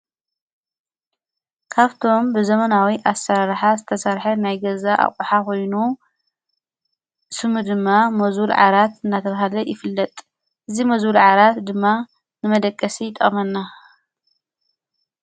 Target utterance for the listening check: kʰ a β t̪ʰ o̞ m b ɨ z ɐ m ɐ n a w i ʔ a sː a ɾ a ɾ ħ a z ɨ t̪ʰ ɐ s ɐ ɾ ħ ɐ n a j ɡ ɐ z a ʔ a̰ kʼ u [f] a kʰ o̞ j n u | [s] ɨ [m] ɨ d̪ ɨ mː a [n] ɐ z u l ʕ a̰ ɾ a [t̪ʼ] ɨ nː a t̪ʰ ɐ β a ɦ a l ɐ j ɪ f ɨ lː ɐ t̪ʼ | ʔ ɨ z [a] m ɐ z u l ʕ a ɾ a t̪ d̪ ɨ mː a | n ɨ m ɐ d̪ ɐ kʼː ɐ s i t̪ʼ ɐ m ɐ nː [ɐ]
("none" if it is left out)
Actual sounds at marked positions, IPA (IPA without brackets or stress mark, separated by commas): ħ, s, m, m, t̪, i, a